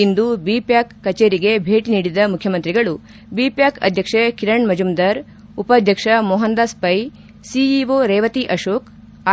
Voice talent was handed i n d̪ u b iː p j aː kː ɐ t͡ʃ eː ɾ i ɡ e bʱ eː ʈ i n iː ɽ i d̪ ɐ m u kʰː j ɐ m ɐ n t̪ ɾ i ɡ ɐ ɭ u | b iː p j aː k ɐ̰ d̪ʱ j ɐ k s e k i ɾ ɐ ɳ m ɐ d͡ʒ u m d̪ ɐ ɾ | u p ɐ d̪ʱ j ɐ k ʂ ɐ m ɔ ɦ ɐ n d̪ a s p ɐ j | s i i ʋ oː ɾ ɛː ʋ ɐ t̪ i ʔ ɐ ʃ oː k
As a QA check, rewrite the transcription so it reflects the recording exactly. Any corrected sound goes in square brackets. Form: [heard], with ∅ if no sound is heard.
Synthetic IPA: i n d̪ u b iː p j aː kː ɐ t͡ʃ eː ɾ i ɡ e bʱ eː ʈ i n iː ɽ i d̪ ɐ m u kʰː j ɐ m ɐ n t̪ ɾ i ɡ ɐ ɭ u | b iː p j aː k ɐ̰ d̪ʱ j ɐ k [ʂ] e k i ɾ ɐ ɳ m ɐ d͡ʒ u m d̪ ɐ ɾ | u p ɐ d̪ʱ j ɐ k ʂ ɐ m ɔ ɦ ɐ n d̪ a s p ɐ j | s i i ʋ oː ɾ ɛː ʋ ɐ t̪ i ʔ ɐ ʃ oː k